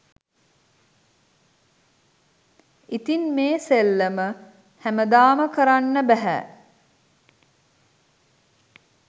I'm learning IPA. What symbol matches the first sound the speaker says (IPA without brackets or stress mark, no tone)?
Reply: i